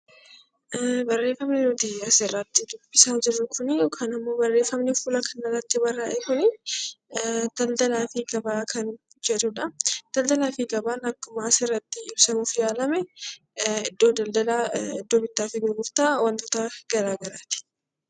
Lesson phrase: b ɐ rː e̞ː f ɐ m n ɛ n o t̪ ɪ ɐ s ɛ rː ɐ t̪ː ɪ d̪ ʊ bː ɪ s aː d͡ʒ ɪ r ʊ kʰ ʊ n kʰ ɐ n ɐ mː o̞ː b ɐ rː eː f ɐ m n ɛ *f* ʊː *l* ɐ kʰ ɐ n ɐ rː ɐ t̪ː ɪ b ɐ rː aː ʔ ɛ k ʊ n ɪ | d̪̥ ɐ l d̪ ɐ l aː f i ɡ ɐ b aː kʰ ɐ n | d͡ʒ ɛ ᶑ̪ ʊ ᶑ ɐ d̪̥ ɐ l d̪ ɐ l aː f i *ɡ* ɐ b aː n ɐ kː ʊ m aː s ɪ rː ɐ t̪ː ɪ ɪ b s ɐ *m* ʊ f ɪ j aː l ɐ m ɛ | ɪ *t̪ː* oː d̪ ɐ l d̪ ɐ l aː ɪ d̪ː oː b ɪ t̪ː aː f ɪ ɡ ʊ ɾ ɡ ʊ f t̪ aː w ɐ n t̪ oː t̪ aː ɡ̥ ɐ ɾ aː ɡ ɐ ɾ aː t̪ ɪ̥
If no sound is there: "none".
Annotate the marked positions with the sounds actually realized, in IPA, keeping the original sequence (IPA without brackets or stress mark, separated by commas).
f, l, ɡ, m, d̪ː